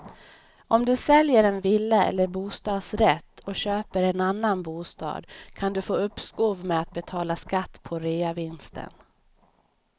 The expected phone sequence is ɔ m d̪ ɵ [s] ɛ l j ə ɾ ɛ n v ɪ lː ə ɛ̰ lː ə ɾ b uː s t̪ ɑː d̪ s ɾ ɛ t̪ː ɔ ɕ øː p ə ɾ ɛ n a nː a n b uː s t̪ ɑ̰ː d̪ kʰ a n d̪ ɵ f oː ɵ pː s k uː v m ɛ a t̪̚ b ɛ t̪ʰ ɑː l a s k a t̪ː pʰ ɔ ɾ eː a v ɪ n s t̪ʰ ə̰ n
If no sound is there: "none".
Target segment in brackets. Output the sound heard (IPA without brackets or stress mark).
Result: s